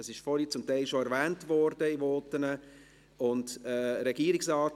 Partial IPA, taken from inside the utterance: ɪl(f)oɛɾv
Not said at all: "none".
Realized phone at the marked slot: ʃ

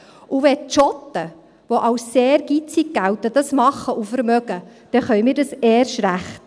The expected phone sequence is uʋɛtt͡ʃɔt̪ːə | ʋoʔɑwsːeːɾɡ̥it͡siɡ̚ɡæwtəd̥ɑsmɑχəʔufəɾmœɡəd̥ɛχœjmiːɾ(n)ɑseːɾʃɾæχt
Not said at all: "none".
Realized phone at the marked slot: d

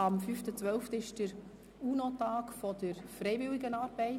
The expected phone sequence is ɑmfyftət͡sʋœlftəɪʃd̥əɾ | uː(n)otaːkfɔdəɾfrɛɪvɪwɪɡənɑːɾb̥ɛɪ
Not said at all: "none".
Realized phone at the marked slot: n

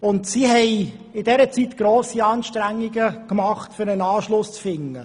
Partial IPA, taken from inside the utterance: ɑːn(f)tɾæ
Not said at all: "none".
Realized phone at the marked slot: ʃ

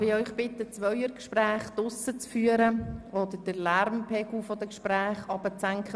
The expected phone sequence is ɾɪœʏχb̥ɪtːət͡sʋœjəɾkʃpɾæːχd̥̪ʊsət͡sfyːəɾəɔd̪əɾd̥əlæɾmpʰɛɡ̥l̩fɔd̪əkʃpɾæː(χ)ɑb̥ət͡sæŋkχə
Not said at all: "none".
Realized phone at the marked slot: χ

